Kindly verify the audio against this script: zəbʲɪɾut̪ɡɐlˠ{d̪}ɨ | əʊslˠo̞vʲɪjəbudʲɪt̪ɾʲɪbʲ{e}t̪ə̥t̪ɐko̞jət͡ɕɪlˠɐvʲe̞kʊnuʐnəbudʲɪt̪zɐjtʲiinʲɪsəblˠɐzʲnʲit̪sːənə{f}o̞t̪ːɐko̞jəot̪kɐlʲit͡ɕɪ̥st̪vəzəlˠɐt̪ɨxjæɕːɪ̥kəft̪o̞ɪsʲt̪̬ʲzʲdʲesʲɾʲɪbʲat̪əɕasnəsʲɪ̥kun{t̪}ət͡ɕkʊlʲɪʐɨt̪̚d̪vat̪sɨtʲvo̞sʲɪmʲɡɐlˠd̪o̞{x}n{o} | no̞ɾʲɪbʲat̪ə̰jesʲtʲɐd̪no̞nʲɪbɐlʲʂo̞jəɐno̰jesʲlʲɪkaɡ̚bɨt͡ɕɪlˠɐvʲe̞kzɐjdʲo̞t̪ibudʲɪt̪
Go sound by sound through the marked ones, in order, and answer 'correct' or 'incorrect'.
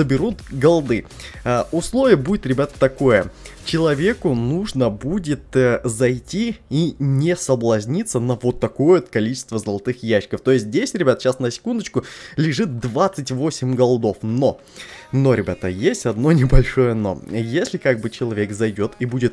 correct, incorrect: a, incorrect: v, incorrect: d̪, incorrect: f, correct

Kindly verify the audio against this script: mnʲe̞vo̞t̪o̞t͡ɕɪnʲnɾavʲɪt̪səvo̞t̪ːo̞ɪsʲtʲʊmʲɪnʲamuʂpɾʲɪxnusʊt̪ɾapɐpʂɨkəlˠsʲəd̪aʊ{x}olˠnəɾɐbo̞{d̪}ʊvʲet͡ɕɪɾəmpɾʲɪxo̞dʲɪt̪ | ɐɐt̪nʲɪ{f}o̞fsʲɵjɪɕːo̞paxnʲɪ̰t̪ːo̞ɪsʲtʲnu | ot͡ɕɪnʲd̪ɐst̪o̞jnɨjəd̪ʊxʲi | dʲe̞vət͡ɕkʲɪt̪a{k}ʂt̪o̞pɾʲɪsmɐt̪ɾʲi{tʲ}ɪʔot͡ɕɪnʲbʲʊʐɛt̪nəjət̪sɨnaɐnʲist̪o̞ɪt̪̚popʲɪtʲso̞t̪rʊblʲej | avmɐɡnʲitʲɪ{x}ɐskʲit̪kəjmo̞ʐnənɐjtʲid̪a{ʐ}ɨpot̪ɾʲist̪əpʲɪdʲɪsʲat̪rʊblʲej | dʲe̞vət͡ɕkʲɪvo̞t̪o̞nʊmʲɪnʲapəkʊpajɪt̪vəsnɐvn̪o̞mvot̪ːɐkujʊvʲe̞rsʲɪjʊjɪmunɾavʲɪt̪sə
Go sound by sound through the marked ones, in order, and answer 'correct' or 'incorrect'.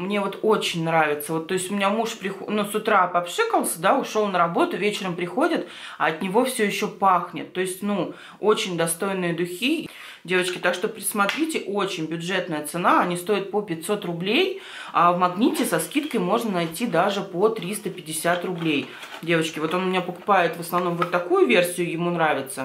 incorrect: ʂ, incorrect: t̪, incorrect: v, correct, correct, incorrect: s, correct

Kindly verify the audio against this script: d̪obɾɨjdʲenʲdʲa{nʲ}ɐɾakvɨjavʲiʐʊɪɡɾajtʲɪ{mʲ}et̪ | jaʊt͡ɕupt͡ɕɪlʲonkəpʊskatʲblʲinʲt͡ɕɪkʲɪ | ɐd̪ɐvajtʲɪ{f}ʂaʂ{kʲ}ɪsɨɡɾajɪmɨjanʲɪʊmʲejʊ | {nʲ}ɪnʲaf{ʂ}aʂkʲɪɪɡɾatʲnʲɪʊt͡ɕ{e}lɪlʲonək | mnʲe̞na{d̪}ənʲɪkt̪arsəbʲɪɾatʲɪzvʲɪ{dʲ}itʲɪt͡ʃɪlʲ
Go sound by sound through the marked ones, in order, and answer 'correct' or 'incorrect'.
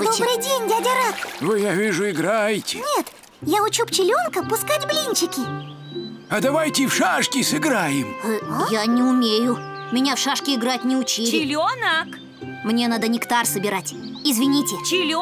incorrect: dʲ, incorrect: nʲ, correct, correct, incorrect: mʲ, correct, incorrect: i, correct, incorrect: nʲ

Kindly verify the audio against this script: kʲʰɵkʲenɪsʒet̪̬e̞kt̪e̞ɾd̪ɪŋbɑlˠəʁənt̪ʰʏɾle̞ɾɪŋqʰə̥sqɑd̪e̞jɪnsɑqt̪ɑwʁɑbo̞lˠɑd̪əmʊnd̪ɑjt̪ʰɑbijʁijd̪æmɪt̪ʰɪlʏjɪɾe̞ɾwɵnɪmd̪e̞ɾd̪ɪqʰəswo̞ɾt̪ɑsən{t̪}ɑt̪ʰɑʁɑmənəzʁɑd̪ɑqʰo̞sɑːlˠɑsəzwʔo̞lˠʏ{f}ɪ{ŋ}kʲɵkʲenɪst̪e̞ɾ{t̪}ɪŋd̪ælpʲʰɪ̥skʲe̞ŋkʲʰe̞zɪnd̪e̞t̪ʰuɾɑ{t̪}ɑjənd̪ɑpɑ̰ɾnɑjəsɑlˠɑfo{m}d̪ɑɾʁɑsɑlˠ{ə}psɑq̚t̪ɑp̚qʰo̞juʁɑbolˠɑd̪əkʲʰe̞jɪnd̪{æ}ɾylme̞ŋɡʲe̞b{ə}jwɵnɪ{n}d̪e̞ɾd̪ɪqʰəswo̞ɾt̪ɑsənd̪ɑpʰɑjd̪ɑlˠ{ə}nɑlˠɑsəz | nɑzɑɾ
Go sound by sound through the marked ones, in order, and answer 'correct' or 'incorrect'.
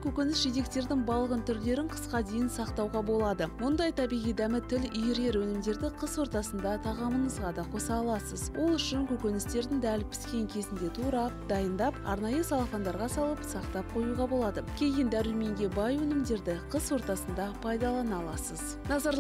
incorrect: d̪, incorrect: ʃ, correct, incorrect: d̪, incorrect: d̪, incorrect: n, correct, correct, incorrect: ɑ, incorrect: m, incorrect: ɑ

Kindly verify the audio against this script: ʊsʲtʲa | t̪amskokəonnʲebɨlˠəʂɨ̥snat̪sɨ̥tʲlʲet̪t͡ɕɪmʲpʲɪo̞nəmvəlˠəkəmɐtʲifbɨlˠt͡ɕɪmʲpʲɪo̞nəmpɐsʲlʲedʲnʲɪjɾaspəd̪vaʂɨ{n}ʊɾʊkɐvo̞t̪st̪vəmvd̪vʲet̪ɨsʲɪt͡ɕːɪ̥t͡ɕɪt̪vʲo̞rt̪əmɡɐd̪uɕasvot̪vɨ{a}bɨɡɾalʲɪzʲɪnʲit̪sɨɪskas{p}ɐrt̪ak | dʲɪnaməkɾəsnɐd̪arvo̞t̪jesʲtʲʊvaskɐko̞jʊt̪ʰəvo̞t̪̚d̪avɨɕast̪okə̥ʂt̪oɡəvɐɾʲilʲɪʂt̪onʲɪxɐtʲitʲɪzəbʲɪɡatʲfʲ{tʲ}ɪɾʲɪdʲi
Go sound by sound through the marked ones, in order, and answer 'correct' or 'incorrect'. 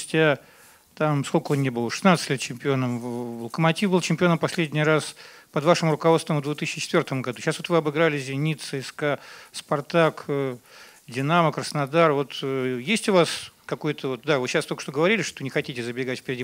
incorrect: m, incorrect: ɐ, correct, incorrect: pʲ

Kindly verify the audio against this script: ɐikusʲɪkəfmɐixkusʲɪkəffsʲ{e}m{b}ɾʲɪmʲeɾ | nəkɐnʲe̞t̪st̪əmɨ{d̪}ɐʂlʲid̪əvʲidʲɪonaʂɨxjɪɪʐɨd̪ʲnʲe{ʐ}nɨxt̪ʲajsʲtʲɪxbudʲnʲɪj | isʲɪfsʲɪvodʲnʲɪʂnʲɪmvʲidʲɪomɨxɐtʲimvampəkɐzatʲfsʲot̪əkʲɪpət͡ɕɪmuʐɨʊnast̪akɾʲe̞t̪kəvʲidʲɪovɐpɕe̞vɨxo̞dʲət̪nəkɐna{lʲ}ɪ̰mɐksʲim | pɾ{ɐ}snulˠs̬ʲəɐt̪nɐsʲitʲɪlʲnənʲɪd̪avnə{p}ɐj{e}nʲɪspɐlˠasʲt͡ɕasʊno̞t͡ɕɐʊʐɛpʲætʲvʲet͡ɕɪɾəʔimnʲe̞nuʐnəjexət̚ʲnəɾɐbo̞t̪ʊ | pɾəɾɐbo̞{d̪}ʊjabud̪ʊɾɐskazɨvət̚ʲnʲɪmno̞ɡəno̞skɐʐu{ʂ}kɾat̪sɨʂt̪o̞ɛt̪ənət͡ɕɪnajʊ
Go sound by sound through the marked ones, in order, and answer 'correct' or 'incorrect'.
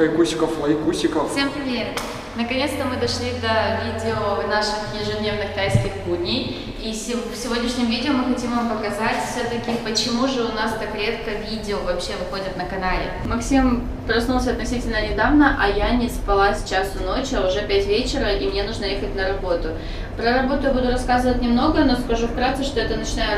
correct, incorrect: p, correct, incorrect: v, correct, correct, incorrect: ʔ, incorrect: a, incorrect: t̪, incorrect: f

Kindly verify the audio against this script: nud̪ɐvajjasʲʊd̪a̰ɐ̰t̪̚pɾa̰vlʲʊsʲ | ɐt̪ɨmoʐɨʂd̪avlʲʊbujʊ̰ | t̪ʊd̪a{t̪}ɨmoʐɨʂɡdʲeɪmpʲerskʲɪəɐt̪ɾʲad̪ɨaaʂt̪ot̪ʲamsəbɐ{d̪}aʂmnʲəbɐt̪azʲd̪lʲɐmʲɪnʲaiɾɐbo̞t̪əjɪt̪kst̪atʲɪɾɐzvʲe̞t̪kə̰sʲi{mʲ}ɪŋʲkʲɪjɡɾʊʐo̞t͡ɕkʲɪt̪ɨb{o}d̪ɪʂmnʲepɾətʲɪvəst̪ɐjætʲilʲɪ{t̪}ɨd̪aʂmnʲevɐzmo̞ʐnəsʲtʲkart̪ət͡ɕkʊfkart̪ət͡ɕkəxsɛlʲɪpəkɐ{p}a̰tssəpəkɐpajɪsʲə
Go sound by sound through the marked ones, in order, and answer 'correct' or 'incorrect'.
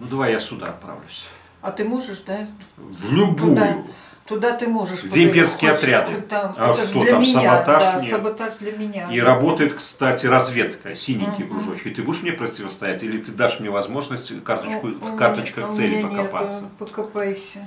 correct, incorrect: t̪, incorrect: nʲ, incorrect: u, correct, correct

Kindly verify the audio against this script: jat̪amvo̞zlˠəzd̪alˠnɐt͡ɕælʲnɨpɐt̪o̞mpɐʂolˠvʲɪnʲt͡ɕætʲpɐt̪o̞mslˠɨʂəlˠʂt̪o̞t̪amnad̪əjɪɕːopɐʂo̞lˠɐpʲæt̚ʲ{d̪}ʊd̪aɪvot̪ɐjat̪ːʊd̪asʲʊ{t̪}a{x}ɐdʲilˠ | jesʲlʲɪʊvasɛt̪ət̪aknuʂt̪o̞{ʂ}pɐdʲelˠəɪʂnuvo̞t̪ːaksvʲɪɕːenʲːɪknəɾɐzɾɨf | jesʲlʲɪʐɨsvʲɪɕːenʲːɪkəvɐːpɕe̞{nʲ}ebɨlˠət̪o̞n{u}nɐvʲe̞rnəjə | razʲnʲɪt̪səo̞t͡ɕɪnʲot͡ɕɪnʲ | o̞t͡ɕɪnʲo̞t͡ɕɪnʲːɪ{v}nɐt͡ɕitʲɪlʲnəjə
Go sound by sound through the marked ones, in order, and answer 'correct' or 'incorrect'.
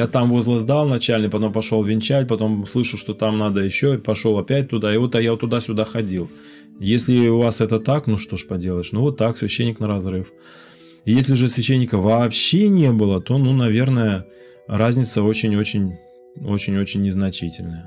incorrect: t̪, incorrect: d̪, correct, correct, correct, correct, incorrect: z

